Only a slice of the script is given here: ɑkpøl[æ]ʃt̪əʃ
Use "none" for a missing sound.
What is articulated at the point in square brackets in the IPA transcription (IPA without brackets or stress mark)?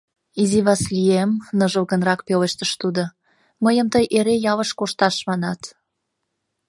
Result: e